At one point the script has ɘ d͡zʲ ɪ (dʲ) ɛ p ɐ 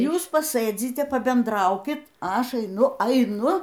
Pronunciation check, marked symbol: incorrect: tʲ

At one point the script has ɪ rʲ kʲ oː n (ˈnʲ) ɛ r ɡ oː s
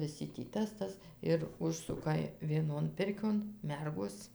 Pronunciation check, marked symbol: incorrect: mʲ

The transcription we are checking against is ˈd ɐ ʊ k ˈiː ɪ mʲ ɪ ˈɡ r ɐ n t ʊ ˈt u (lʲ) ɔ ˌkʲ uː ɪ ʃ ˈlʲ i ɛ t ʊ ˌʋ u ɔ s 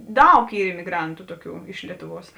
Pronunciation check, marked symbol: incorrect: none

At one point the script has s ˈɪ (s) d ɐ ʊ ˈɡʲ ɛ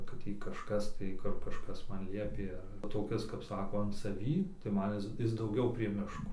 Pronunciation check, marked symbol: correct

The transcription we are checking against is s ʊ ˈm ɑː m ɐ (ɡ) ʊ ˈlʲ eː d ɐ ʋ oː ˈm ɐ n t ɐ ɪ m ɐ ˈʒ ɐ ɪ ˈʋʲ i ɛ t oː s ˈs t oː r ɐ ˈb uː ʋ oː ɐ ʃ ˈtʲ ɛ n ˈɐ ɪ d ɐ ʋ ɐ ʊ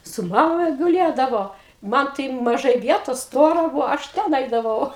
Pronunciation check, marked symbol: correct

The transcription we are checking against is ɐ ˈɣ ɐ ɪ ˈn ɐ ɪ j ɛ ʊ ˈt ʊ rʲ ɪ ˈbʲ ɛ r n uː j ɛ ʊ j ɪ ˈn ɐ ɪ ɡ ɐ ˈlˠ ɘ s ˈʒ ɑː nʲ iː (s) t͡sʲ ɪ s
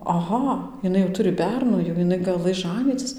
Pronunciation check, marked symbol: incorrect: none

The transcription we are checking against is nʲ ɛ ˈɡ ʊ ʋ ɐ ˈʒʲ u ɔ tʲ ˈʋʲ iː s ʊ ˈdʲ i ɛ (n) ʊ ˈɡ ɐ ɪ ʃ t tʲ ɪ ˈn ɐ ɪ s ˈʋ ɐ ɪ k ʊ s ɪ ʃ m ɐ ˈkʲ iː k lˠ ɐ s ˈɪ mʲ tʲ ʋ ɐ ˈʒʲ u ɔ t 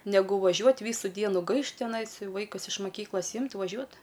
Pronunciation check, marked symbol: correct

